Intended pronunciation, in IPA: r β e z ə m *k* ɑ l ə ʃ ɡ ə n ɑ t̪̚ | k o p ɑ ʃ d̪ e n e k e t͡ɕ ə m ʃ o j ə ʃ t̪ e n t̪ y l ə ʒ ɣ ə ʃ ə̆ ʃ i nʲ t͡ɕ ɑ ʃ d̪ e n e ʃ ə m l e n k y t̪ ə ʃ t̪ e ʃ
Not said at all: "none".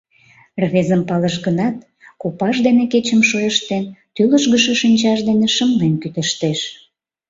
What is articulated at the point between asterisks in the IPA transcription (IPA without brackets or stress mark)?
p